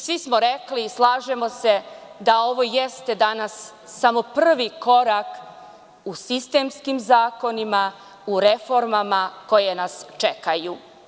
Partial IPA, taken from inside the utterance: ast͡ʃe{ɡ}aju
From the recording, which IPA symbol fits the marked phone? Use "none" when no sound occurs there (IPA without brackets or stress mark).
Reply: k